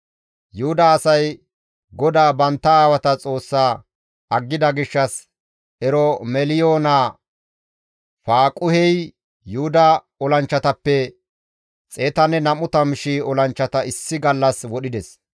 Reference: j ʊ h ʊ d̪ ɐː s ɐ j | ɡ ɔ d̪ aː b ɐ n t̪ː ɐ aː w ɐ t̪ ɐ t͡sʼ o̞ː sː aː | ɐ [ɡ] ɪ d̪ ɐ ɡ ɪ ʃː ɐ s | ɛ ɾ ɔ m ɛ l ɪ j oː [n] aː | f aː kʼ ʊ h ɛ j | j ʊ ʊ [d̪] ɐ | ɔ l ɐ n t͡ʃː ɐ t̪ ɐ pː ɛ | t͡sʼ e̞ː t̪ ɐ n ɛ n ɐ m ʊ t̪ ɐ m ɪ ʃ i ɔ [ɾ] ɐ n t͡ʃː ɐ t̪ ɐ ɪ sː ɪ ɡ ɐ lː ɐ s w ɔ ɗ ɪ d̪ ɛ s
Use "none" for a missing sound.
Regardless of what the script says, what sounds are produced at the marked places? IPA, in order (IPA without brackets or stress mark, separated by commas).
ɡː, n, d̪, l